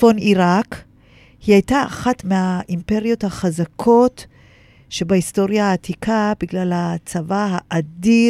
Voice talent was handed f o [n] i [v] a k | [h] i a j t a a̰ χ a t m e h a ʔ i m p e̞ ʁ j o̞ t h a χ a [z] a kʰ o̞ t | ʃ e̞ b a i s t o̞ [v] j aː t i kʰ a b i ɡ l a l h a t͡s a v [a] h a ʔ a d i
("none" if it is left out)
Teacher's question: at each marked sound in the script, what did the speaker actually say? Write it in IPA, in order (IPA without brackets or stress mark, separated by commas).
n, ʁ, h, z, ʁ, a